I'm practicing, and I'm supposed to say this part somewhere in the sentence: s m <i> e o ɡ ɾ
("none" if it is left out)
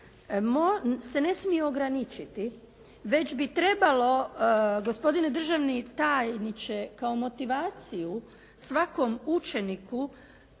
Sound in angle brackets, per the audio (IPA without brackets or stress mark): i